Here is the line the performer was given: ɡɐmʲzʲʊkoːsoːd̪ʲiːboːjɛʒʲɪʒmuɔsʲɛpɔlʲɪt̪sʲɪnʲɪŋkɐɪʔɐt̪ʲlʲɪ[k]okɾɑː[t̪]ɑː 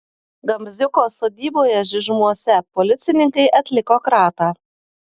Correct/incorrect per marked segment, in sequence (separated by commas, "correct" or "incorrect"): correct, correct